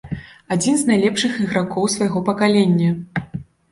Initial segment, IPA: a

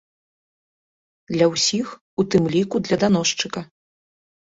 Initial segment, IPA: d̪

